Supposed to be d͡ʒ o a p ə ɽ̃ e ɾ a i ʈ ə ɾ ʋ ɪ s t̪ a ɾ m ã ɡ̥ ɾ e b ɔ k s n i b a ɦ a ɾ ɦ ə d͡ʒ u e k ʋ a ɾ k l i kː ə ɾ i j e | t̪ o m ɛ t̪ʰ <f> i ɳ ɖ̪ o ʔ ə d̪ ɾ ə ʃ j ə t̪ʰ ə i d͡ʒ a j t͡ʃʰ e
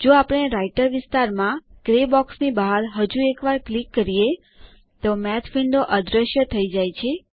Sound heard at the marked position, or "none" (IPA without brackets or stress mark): f